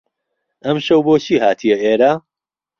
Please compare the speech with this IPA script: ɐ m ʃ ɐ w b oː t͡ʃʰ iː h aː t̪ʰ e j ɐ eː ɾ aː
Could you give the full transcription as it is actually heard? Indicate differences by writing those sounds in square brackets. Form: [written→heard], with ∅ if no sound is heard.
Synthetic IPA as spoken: ɐ m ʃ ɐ w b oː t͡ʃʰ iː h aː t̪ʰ [e→i] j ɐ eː ɾ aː